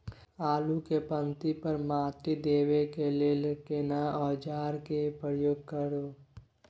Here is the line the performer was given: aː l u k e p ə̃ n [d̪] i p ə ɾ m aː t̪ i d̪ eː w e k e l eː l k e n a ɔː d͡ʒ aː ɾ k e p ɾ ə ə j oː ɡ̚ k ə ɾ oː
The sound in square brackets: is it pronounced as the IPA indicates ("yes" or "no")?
no